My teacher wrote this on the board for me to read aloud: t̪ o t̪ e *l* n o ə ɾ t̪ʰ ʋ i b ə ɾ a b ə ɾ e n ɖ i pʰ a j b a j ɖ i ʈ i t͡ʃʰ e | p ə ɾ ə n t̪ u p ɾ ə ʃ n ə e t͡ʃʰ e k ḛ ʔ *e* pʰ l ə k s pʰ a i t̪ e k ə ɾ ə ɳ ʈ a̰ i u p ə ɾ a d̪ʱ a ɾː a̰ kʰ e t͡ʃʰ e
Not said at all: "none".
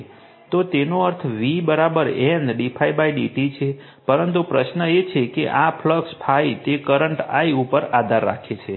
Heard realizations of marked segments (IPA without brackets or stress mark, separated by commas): none, a